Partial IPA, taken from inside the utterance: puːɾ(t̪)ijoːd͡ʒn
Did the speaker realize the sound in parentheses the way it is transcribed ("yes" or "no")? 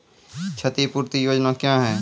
yes